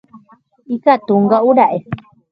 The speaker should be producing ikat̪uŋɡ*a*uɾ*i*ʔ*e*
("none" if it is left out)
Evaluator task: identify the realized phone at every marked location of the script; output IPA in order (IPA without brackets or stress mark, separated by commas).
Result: a, a, e